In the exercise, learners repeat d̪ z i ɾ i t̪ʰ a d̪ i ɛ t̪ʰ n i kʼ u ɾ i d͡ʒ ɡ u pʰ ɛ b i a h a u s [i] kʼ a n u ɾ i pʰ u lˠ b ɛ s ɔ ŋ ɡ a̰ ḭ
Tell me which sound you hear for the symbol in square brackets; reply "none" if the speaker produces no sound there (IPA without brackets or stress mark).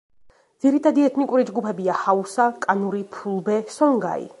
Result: a